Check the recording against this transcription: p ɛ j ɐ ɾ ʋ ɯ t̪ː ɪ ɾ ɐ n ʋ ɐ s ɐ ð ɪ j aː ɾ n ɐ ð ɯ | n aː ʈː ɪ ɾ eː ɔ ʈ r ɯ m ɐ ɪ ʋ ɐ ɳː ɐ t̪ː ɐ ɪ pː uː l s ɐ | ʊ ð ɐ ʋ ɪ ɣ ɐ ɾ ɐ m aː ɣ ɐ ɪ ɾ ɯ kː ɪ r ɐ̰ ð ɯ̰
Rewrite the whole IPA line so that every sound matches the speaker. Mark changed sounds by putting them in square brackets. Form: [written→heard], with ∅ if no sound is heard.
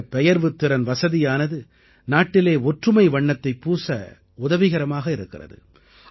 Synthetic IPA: p ɛ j ɐ ɾ ʋ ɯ t̪ː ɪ ɾ ɐ n ʋ ɐ s ɐ ð ɪ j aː [ɾ→∅] n ɐ ð ɯ | n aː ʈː ɪ [ɾ→l] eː ɔ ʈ r ɯ m ɐ ɪ ʋ ɐ ɳː ɐ t̪ː ɐ ɪ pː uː [l→∅] s ɐ | ʊ ð ɐ ʋ ɪ ɣ ɐ ɾ ɐ m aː ɣ ɐ ɪ ɾ ɯ kː ɪ r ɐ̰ ð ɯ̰

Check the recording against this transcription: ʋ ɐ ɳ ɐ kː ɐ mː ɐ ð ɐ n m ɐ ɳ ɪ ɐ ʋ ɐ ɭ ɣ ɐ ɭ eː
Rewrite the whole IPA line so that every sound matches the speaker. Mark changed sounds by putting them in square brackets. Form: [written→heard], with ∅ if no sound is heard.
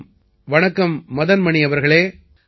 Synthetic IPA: ʋ ɐ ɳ ɐ kː ɐ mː ɐ ð ɐ n m ɐ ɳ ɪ ɐ ʋ ɐ [ɭ→ɾ] ɣ ɐ ɭ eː

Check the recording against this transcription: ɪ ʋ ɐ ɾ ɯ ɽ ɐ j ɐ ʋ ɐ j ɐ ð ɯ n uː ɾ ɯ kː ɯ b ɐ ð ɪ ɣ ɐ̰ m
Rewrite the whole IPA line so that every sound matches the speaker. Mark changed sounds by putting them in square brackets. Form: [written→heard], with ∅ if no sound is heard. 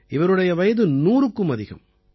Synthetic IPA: ɪ ʋ ɐ ɾ ɯ ɽ ɐ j ɐ ʋ ɐ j ɐ ð ɯ n uː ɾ ɯ kː ɯ [b→m] ɐ ð ɪ ɣ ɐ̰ m

